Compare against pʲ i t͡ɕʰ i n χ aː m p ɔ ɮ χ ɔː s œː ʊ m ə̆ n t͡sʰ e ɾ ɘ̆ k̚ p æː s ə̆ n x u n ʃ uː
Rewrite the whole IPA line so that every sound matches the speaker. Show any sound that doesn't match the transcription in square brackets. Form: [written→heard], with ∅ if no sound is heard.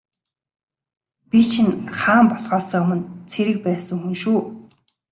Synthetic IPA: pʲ i t͡ɕʰ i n χ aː m p ɔ ɮ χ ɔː s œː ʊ m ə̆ n t͡sʰ e ɾ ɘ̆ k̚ p æː s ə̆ [n→ŋ] x u n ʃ uː

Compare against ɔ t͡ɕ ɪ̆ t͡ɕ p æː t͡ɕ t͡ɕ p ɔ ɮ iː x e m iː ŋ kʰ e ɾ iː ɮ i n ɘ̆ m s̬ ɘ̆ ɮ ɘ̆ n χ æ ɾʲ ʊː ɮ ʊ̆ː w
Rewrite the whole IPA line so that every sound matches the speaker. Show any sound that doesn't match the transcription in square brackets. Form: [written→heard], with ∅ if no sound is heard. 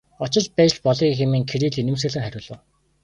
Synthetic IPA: ɔ t͡ɕ ɪ̆ t͡ɕ p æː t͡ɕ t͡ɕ p ɔ ɮ iː x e m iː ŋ kʰ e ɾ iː ɮ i n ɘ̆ m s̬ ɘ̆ ɮ ɘ̆ [n→ŋ] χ æ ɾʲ ʊː ɮ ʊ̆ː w

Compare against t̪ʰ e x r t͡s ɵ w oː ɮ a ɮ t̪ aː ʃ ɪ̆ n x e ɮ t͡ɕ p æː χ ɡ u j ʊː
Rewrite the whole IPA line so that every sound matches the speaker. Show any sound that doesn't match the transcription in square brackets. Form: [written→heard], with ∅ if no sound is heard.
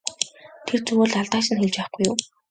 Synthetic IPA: t̪ʰ e [x→∅] r t͡s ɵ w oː ɮ a ɮ t̪ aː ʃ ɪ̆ n x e ɮ t͡ɕ p æː χ ɡ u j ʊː

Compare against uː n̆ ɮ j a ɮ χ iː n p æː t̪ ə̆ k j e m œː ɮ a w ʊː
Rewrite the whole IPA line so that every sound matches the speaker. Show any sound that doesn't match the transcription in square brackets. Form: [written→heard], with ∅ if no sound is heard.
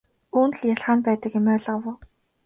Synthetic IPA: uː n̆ ɮ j a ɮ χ [iː→aː] n p æː t̪ ə̆ k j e m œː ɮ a w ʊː

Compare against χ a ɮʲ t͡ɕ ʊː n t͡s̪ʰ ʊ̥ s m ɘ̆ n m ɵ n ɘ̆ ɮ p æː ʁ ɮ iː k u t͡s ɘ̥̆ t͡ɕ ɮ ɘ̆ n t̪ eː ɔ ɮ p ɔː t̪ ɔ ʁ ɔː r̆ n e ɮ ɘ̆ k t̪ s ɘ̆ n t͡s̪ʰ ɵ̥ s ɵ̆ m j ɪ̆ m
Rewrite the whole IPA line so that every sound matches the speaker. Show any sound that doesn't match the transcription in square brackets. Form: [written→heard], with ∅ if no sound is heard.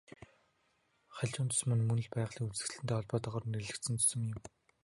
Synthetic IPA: χ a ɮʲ t͡ɕ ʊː n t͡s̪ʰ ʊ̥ s m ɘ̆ n m ɵ n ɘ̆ ɮ p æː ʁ ɮ iː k u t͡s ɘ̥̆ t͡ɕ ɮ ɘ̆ n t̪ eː ɔ ɮ p ɔː t̪ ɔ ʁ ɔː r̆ n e ɮ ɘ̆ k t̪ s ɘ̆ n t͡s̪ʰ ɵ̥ s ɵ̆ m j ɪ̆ m

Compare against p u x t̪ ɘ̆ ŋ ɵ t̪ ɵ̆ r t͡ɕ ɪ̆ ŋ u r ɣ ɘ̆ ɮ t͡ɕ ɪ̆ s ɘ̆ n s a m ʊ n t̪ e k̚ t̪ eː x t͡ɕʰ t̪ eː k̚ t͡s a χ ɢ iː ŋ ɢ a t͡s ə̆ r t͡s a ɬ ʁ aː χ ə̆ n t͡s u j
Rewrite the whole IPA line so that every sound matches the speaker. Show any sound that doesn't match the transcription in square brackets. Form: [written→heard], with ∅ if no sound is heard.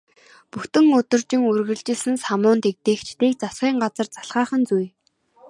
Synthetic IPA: p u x t̪ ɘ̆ ŋ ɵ t̪ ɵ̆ r t͡ɕ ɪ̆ ŋ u r ɣ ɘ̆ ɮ t͡ɕ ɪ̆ s ɘ̆ n s a m [ʊ→ʊː] n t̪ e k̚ t̪ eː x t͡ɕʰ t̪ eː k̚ t͡s a [χ→s] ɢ iː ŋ ɢ a t͡s ə̆ r t͡s a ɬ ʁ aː χ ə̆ n t͡s u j

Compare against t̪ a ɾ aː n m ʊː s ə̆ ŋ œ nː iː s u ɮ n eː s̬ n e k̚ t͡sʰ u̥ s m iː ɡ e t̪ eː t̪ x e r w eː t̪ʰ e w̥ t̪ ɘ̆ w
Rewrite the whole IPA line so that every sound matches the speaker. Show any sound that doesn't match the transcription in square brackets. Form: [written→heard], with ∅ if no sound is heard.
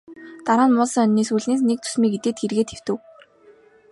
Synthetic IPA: t̪ a ɾ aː n m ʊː s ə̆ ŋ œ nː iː s u ɮ n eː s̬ n e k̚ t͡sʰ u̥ s m iː ɡ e t̪ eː t̪ x e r [w→ɣ] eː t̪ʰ e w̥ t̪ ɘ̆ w

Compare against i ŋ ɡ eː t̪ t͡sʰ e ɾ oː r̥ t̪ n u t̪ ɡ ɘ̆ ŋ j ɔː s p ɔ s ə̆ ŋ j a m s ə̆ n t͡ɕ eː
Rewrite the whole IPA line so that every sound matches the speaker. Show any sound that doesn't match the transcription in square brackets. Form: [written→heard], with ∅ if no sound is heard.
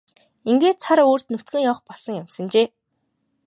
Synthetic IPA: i ŋ ɡ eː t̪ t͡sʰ [e→a] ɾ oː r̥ t̪ n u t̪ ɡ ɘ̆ ŋ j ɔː [s→χ] p ɔ s ə̆ ŋ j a m s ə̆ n t͡ɕ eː

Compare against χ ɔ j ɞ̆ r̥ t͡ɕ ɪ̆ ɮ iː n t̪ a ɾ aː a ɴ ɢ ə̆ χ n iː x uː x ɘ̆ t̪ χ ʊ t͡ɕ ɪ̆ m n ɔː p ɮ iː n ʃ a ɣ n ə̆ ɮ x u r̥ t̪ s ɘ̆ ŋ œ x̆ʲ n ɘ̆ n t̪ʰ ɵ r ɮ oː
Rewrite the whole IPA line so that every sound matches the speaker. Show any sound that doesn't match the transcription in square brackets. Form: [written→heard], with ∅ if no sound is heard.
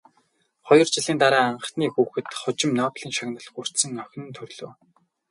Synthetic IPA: χ ɔ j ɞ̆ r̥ t͡ɕ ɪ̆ ɮ iː n t̪ a ɾ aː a ɴ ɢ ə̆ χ n iː x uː x ɘ̆ t̪ χ ʊ t͡ɕ ɪ̆ m n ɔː p ɮ iː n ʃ a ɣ n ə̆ ɮ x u r̥ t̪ s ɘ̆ ŋ œ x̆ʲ n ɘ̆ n t̪ʰ ɵ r ɮ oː

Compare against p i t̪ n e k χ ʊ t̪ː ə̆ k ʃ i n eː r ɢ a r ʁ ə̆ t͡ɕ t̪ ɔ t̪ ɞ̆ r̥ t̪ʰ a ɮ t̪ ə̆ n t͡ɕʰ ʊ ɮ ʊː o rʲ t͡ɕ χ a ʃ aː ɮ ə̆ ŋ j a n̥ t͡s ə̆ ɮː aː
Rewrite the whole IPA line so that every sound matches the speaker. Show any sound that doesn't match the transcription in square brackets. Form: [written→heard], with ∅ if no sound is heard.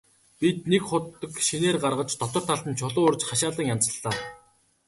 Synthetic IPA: p i t̪ n e k χ ʊ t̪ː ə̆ k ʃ i n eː r ɢ a r ʁ ə̆ t͡ɕ t̪ ɔ t̪ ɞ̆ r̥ t̪ʰ a ɮ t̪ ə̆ n t͡ɕʰ ʊ ɮ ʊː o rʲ t͡ɕ χ a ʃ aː ɮ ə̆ ŋ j a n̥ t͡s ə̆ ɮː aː

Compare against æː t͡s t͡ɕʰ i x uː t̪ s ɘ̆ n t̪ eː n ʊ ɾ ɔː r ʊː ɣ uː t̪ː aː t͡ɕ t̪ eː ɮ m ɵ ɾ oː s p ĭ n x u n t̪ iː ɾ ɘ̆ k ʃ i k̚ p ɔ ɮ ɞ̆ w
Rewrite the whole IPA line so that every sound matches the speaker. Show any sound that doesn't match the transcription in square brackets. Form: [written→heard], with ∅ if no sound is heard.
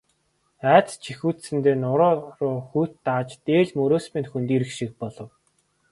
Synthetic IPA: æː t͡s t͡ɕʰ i x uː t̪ s ɘ̆ n t̪ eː n ʊ ɾ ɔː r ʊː [ɣ→x] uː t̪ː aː t͡ɕ t̪ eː ɮ m ɵ ɾ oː s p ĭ n x u n t̪ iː ɾ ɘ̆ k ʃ i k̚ p ɔ ɮ ɞ̆ w

